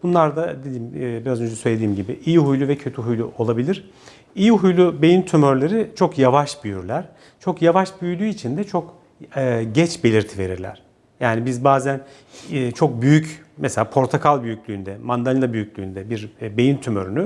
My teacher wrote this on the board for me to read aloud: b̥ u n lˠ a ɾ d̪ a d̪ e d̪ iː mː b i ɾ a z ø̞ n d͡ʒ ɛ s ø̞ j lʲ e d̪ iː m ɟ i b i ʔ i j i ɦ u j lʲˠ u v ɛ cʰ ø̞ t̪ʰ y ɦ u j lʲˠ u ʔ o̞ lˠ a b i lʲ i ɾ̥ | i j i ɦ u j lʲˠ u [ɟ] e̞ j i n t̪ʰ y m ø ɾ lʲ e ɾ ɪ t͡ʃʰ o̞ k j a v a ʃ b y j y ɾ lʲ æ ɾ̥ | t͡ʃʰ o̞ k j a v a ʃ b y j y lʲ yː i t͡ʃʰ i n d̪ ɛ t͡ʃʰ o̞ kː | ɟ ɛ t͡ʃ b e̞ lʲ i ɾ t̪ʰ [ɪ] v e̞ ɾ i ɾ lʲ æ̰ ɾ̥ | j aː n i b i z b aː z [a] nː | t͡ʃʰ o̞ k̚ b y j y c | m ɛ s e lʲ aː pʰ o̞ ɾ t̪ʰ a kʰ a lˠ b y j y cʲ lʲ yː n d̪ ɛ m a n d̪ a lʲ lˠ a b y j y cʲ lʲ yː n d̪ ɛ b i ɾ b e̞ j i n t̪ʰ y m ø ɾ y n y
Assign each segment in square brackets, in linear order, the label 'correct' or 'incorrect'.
incorrect: b, incorrect: i, incorrect: æ

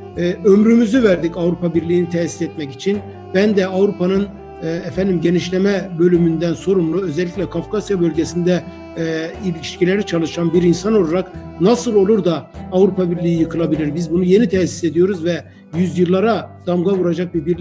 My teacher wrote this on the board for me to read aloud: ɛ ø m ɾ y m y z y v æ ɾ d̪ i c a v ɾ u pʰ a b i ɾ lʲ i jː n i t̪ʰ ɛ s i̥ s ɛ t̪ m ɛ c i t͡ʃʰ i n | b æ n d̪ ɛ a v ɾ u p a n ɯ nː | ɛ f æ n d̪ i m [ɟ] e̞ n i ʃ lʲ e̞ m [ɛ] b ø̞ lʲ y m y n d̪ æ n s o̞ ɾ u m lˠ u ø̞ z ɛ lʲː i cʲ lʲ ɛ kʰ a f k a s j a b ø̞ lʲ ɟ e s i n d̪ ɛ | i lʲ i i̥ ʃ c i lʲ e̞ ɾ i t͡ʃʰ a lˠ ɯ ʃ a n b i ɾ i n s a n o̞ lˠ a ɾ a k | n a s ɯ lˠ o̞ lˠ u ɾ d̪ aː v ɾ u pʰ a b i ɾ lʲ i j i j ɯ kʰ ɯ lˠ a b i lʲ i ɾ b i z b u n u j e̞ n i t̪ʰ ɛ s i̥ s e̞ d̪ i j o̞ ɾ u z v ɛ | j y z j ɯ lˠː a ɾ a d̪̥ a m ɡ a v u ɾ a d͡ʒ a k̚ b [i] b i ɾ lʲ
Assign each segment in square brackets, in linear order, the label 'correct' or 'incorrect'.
correct, correct, correct

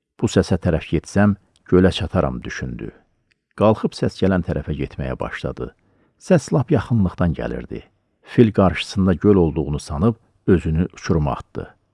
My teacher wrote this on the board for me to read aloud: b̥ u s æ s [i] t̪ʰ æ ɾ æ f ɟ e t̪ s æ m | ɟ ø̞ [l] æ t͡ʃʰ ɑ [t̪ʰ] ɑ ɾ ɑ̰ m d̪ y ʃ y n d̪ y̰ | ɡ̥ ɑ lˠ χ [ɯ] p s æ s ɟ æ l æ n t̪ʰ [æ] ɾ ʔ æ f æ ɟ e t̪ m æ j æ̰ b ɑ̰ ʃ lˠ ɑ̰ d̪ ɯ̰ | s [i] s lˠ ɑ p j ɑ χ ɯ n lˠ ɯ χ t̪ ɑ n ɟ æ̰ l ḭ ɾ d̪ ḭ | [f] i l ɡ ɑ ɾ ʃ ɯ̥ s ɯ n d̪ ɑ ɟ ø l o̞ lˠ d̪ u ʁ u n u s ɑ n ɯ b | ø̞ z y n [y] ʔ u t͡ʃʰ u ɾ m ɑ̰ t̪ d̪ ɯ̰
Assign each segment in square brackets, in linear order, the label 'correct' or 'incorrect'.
incorrect: æ, correct, correct, correct, correct, incorrect: æ, correct, correct

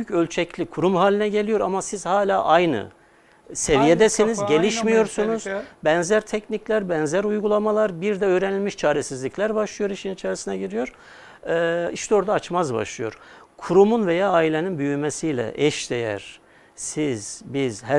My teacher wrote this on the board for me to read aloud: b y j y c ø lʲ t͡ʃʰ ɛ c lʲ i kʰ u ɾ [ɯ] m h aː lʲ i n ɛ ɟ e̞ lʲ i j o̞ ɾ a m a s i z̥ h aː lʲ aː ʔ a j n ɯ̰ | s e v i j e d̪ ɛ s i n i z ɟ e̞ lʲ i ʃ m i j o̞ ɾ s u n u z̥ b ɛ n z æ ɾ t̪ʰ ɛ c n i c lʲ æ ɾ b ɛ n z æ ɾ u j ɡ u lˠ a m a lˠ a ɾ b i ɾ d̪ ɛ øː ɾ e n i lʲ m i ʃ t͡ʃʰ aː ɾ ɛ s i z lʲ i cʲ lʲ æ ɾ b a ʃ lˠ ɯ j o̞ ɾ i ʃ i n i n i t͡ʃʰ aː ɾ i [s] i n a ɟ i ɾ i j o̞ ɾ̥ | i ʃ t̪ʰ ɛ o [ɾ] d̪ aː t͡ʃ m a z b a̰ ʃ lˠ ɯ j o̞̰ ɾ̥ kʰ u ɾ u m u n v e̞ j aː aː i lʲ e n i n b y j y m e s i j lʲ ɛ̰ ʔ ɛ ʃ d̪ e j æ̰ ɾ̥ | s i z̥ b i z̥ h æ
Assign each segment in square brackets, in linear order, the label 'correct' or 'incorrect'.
incorrect: u, correct, correct

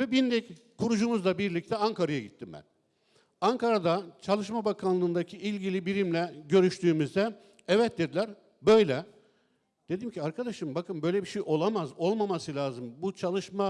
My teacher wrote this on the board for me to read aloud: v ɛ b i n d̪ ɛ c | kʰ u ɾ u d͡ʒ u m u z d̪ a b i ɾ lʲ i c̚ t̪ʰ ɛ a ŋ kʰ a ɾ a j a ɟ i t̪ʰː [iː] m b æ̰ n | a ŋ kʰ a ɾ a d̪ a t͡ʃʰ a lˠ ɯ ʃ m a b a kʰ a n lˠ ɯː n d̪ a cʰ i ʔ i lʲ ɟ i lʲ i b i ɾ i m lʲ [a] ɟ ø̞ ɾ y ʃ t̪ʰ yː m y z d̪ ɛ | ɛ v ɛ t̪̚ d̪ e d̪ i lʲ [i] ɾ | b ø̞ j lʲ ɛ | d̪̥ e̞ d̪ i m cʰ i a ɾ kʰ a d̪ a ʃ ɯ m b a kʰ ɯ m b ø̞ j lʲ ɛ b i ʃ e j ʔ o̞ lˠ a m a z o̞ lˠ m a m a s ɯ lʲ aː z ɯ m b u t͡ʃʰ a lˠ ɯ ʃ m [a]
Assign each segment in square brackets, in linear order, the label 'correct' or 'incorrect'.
incorrect: i, incorrect: ɛ, incorrect: æ, correct

